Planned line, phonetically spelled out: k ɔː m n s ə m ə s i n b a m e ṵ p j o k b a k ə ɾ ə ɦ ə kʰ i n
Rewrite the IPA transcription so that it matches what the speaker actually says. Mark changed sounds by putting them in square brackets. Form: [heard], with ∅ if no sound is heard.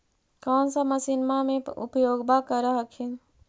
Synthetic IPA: k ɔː [∅] n s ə m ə s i n [m] a m e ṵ p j o [ɡ] b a k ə ɾ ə ɦ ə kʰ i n

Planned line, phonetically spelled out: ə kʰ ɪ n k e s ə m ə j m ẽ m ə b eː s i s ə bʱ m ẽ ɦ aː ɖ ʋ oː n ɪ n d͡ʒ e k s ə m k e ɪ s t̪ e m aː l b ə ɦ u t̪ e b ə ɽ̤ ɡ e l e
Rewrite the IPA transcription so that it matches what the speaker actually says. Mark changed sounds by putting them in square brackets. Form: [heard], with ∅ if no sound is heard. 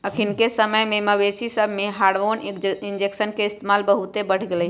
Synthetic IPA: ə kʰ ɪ n k e s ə m ə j m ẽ m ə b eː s i s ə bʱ m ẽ ɦ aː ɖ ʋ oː n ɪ n d͡ʒ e k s ə [n] k e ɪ s t̪ e m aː l b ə ɦ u t̪ e b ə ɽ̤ ɡ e l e

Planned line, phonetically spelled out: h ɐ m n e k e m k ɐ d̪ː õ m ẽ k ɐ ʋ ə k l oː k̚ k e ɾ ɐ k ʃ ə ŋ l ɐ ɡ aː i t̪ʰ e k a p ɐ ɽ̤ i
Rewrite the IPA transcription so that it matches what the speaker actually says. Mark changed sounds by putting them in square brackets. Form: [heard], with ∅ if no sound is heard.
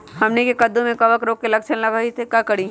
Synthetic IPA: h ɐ m n e k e [∅] k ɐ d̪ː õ m ẽ k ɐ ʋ ə k [ɾ] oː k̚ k e [l] ɐ k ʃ ə [n] l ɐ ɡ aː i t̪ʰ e k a [k] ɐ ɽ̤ i

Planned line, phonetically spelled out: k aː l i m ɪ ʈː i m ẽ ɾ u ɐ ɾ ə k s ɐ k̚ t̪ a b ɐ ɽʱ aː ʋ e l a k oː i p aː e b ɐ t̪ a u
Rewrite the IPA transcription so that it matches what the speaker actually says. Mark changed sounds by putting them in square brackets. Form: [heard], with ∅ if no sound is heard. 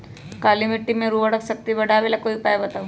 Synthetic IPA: k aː l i m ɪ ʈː i m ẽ ɾ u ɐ [ɽ] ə k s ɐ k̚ t̪ [i] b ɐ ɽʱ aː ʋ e l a k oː i p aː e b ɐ t̪ a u

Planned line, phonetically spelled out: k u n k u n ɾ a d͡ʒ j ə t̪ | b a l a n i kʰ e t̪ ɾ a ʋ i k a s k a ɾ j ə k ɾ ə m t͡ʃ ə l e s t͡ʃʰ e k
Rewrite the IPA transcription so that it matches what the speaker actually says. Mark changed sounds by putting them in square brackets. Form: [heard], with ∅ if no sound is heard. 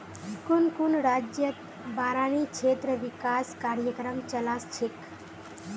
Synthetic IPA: k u n k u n ɾ a d͡ʒ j ə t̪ | b a [ɾ] a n i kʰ e t̪ ɾ [ə] ʋ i k a s k a ɾ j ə k ɾ ə m t͡ʃ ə l [a] s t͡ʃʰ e k

